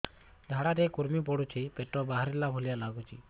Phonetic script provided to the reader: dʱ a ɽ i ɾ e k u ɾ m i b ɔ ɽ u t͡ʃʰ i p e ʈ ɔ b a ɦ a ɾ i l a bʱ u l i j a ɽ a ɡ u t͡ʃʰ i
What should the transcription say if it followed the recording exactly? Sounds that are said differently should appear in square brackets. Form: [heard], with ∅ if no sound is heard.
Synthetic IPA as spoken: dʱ a ɽ [a] ɾ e k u ɾ m i [p] ɔ ɽ u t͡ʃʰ i p e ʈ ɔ b a ɦ a ɾ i l a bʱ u l i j a [l] a ɡ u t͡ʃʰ i

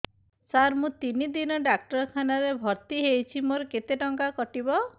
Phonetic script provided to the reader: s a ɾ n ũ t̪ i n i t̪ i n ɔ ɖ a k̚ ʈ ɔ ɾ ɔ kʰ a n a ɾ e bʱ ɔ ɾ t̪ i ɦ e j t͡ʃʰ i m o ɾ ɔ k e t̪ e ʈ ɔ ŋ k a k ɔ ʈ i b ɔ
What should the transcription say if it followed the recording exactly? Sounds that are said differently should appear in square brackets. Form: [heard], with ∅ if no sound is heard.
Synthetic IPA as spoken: s a ɾ [m] ũ t̪ i n i [d̪] i n ɔ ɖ a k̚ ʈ ɔ ɾ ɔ kʰ a n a ɾ e bʱ ɔ ɾ t̪ i ɦ e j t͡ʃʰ i m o ɾ ɔ k e t̪ e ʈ ɔ ŋ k a k ɔ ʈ i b ɔ

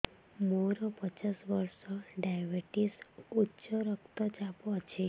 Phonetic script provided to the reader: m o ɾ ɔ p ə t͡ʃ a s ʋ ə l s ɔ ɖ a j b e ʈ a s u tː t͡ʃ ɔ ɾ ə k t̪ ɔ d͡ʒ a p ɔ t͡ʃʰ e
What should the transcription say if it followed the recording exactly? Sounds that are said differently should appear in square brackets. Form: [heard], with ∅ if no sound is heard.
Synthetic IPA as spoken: m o ɾ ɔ p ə t͡ʃ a s ʋ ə [ɾ] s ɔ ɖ a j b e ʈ [i] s u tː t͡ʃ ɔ ɾ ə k t̪ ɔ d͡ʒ a p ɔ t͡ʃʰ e

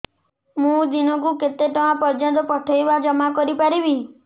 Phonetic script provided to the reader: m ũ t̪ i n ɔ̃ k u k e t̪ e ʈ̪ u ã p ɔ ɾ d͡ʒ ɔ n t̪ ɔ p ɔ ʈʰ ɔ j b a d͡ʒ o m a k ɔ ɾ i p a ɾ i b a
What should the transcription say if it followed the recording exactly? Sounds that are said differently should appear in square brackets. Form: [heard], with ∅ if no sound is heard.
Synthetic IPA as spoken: m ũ [d̪] i n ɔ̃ k u k e t̪ e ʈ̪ [ɔ] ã p ɔ ɾ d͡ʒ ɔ n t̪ ɔ p ɔ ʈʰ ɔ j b a d͡ʒ [ɔ] m a k ɔ ɾ i p a ɾ i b [i]

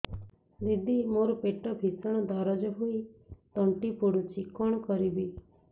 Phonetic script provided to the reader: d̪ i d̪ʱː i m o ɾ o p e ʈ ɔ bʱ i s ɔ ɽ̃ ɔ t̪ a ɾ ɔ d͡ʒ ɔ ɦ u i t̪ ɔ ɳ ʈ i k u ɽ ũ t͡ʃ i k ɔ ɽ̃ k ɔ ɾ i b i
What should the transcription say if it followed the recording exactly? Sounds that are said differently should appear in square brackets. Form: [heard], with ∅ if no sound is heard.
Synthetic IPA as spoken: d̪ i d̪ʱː i m o ɾ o p e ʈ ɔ bʱ i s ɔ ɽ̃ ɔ [d̪] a ɾ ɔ d͡ʒ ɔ ɦ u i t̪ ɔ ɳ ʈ i [p] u ɽ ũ t͡ʃ i k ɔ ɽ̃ k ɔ ɾ i b i

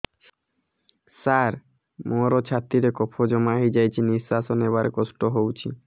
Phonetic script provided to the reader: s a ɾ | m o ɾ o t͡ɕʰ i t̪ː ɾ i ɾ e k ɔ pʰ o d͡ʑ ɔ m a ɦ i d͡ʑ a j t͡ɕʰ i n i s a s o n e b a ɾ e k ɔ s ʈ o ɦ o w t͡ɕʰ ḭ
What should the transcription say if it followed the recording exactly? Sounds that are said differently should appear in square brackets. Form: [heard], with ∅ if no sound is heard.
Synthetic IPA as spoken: s a ɾ | m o ɾ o t͡ɕʰ [a] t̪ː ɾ i ɾ e k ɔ pʰ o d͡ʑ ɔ m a ɦ i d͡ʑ a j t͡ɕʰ i n i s a s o n e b a ɾ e k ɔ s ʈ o ɦ o w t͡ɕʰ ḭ

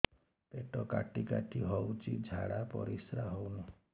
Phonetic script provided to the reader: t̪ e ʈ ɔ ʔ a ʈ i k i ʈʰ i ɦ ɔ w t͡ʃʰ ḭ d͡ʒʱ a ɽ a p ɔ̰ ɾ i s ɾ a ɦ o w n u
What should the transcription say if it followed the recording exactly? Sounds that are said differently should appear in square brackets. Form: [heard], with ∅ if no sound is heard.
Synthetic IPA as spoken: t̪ e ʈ ɔ [k] a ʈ i k [a] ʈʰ i ɦ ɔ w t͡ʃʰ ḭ d͡ʒʱ a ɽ a p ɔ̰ ɾ i s ɾ a ɦ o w n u

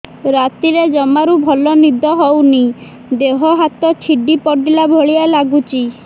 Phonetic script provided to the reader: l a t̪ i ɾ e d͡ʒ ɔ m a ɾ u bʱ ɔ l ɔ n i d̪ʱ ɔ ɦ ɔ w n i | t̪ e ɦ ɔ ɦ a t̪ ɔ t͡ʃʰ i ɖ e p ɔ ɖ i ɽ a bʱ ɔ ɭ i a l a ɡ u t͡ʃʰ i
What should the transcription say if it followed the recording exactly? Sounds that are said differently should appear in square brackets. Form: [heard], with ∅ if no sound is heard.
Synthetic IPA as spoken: [ɾ] a t̪ i ɾ e d͡ʒ ɔ m a ɾ u bʱ ɔ l ɔ n i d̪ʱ ɔ ɦ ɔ w n i | [d̪] e ɦ ɔ ɦ a t̪ ɔ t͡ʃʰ i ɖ [i] p ɔ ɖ i [l] a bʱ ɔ ɭ i a l a ɡ u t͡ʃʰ i

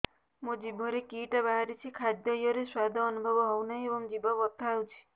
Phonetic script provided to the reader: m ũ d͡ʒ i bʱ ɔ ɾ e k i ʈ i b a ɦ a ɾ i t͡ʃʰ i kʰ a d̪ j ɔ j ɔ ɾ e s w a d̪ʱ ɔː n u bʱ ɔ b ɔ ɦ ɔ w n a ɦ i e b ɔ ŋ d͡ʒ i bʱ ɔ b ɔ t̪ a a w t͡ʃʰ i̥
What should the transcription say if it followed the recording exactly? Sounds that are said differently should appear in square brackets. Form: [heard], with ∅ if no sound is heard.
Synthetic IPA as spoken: m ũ d͡ʒ i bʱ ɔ ɾ e k i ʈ [a] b a ɦ a ɾ i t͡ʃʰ i kʰ a d̪ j ɔ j ɔ ɾ e s w a d̪ʱ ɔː n u bʱ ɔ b ɔ ɦ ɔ w n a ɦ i e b ɔ ŋ d͡ʒ i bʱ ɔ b ɔ t̪ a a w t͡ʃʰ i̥

